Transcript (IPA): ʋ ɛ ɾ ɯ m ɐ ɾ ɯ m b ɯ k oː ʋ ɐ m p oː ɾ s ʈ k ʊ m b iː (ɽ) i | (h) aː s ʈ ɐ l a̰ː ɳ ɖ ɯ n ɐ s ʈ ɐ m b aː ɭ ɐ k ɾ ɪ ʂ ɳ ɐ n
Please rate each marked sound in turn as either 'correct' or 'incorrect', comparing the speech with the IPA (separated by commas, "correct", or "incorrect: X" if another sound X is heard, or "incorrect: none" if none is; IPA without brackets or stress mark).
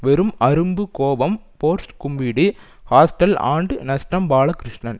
correct, correct